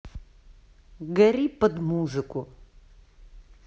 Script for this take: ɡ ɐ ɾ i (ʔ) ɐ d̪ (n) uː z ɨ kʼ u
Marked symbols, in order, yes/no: no, no

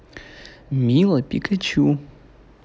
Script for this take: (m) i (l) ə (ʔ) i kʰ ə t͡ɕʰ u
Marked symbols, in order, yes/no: yes, yes, no

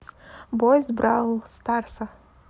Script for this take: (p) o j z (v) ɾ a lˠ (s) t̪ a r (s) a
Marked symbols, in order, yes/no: no, no, yes, yes

